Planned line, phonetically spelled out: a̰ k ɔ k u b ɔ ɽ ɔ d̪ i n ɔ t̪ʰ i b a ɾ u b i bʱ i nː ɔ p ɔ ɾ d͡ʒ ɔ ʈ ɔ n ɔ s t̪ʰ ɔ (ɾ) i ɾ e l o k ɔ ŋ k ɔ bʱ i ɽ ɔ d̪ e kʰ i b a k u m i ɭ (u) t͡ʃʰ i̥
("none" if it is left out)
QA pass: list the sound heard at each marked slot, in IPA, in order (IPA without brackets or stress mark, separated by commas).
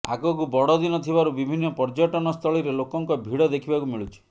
ɭ, u